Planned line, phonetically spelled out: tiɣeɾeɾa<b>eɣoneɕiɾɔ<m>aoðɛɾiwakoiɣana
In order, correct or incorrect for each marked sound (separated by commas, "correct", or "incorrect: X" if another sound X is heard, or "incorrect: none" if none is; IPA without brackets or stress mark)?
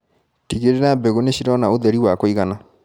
correct, incorrect: n